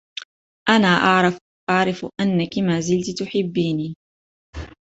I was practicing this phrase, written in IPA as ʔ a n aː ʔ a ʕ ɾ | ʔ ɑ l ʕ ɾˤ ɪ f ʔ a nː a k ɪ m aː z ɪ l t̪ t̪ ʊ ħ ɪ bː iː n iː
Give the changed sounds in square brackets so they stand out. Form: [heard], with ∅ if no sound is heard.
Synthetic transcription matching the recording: ʔ a n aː ʔ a ʕ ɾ | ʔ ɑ [∅] ʕ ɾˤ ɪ f ʔ a nː a k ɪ m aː z ɪ l t̪ t̪ ʊ ħ ɪ bː iː n iː

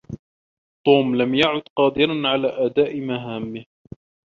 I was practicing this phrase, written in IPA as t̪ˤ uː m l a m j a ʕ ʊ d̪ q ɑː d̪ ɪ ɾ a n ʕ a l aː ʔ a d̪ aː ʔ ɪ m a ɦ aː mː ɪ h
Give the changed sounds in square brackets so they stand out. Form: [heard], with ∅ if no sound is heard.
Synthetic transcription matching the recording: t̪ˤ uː m l a m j a ʕ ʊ d̪ q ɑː d̪ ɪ ɾ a n ʕ a l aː ʔ a d̪ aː ʔ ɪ m a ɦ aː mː ɪ h

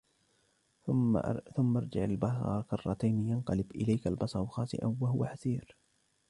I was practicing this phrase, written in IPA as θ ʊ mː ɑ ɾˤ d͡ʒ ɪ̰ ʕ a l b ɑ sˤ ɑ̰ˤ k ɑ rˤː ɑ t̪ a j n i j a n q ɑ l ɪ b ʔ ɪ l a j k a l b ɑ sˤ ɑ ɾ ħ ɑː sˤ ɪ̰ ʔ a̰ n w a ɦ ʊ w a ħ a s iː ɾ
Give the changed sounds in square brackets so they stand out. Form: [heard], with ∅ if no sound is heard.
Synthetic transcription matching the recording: θ ʊ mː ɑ ɾˤ d͡ʒ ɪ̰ ʕ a l b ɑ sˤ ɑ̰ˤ k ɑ rˤː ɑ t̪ a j n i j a n q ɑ l ɪ b ʔ ɪ l a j k a l b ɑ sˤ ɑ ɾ [x] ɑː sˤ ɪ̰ ʔ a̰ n w a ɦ ʊ w a ħ a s iː ɾ

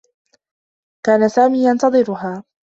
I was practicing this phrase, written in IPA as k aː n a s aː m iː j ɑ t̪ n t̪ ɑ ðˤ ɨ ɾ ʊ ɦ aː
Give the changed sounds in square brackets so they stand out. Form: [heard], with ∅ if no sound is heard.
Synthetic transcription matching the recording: k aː n a s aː m iː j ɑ [∅] n t̪ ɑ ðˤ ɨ ɾ ʊ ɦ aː

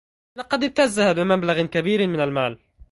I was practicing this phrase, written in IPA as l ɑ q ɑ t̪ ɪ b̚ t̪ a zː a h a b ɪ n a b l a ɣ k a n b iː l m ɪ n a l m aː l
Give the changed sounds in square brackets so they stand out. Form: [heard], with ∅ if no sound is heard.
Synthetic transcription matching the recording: l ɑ q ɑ [d̪] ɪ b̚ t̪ a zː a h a b ɪ [m] a b l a ɣ k a [∅] b iː [ɾ] m ɪ n a l m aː l

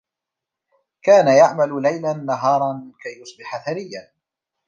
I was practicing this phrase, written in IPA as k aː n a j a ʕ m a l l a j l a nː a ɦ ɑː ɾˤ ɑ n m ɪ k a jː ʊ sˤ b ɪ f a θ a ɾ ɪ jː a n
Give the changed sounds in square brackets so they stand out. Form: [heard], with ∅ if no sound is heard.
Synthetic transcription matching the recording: k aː n a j a ʕ m a l l a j l a nː a ɦ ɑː ɾˤ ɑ n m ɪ k a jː ʊ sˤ b ɪ [ħ] a θ a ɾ ɪ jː a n

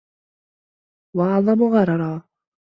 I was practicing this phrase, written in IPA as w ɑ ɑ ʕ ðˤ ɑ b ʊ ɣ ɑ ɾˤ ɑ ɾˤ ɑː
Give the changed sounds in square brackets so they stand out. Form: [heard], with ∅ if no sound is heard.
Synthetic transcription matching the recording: w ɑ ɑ ʕ ðˤ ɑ [m] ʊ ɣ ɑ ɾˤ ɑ ɾˤ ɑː

